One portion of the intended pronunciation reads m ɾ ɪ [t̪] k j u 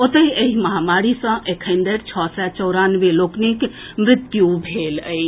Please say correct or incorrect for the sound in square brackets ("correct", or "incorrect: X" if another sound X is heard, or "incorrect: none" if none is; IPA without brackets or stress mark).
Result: correct